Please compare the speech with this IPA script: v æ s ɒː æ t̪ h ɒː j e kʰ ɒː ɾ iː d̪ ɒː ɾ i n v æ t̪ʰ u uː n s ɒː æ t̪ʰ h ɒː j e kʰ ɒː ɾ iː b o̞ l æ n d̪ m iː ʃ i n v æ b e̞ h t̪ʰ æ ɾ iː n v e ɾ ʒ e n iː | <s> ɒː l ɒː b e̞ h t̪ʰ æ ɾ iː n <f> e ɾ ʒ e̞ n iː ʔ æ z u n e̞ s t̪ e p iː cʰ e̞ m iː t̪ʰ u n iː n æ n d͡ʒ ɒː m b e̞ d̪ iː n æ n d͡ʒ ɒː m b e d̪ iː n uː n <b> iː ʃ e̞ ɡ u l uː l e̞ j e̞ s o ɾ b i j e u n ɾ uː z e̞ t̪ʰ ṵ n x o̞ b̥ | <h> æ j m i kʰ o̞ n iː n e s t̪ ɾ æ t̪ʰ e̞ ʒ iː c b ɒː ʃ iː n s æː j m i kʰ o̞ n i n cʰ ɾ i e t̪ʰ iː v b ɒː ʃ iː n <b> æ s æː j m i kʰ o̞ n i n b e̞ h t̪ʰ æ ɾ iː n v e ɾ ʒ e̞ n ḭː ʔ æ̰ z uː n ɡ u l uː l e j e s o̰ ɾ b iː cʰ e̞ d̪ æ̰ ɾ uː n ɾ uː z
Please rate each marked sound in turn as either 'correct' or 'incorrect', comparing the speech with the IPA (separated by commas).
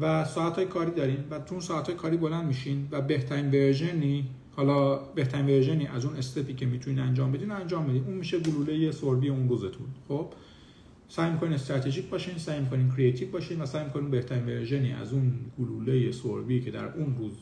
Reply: incorrect, incorrect, incorrect, incorrect, incorrect